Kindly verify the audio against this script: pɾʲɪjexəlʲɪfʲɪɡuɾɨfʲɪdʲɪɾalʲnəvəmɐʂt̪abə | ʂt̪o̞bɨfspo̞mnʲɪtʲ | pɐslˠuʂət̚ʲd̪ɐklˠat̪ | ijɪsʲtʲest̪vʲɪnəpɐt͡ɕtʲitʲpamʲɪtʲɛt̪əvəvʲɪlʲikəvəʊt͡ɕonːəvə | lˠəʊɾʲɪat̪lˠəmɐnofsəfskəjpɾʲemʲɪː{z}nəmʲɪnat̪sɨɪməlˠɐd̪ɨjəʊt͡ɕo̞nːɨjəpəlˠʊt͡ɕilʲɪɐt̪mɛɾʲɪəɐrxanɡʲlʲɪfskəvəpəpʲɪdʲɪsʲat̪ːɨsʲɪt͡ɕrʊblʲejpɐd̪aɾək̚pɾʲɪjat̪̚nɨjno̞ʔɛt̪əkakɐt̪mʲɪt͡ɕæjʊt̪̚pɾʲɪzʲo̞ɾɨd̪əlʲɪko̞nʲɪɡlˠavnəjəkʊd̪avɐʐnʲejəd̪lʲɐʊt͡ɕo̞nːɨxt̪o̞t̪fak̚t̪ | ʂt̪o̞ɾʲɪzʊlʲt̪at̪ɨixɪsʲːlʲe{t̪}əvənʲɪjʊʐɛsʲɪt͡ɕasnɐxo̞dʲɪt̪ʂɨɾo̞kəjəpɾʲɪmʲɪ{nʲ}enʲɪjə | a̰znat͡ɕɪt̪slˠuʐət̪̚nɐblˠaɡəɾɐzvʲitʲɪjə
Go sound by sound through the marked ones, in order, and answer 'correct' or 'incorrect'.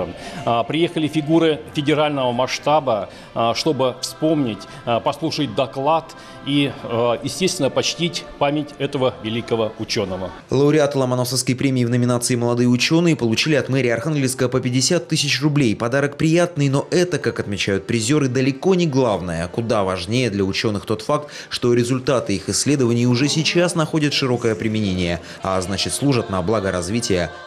incorrect: v, incorrect: d̪, correct

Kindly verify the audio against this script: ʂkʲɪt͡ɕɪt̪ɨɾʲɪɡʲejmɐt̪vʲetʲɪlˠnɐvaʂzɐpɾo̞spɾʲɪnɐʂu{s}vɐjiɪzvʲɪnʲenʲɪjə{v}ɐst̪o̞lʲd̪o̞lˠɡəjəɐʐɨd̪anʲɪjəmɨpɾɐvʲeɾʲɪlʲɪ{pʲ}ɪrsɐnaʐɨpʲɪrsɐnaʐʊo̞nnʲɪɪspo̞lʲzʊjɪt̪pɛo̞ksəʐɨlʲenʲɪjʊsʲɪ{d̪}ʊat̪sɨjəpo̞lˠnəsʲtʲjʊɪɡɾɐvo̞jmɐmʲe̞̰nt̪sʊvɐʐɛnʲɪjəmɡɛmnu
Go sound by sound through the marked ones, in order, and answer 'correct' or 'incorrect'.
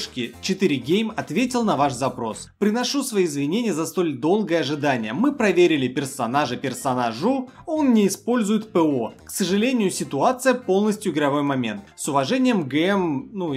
correct, incorrect: z, correct, incorrect: t̪

